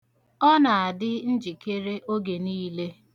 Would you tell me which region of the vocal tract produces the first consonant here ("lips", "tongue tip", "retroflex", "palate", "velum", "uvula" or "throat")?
tongue tip